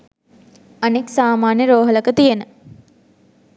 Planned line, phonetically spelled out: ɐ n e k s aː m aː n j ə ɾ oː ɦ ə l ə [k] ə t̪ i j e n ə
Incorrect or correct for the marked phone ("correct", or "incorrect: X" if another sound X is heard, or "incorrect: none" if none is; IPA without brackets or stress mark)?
correct